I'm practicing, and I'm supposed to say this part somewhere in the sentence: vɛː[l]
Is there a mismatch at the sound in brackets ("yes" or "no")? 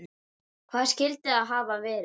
yes